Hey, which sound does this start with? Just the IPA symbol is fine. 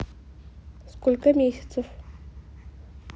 s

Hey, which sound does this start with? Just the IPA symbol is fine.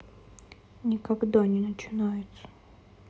nʲ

